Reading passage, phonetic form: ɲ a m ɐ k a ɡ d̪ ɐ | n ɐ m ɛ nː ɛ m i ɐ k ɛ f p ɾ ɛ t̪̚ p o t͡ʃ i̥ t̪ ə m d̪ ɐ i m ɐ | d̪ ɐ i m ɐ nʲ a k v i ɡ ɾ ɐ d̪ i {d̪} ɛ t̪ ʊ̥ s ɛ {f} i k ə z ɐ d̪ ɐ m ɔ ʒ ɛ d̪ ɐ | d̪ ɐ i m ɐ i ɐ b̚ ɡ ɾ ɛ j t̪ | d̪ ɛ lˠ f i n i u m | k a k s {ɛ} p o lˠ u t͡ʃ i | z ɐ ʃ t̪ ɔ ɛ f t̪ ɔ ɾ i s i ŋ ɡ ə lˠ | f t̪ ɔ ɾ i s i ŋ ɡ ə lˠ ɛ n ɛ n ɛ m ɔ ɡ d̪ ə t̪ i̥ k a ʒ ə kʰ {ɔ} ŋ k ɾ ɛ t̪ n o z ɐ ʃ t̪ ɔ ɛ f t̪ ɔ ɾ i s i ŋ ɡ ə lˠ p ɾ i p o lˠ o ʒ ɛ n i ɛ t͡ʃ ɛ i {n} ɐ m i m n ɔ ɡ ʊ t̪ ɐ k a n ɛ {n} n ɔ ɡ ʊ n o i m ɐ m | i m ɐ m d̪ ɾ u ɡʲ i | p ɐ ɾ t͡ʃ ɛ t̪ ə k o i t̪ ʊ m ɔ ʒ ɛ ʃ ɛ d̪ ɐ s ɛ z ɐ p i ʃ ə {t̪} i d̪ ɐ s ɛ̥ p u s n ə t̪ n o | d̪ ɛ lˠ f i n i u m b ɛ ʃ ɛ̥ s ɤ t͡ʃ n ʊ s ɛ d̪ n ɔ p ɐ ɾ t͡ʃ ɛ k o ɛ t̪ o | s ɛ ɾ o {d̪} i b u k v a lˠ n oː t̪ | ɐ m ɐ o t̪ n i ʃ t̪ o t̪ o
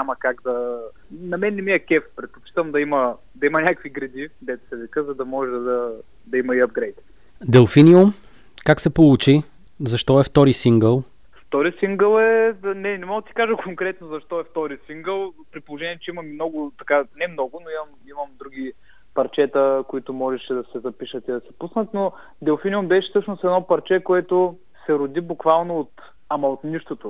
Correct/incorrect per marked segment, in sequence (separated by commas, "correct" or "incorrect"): correct, incorrect, correct, incorrect, incorrect, incorrect, correct, correct